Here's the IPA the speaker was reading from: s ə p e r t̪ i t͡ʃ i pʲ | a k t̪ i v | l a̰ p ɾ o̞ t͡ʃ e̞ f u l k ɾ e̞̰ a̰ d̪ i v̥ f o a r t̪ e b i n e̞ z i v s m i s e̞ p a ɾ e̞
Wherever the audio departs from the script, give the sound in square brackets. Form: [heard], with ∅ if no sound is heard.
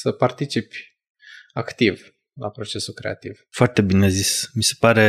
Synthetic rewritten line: s ə p [a] r t̪ i t͡ʃ i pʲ | a k t̪ i v | l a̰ p ɾ o̞ t͡ʃ e̞ [s] u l k ɾ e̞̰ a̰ [t̪] i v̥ f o a r t̪ e b i n e̞ z i [∅] s m i s e̞ p a ɾ e̞